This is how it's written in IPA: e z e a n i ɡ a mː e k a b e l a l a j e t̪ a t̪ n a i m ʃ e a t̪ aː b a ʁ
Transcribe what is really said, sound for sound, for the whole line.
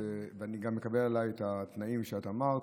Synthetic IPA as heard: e v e a n i ɡ a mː e k a b e l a l a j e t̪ a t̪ n a i m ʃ e a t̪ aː m a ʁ